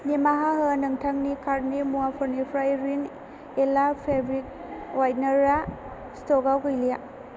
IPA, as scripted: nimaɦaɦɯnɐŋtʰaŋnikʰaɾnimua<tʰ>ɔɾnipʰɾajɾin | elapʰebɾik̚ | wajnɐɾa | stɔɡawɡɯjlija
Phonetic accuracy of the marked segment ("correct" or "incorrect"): incorrect